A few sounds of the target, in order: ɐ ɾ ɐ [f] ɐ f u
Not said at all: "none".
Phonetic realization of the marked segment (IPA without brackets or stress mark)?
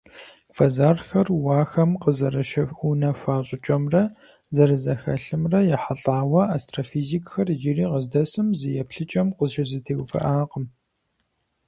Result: ʃ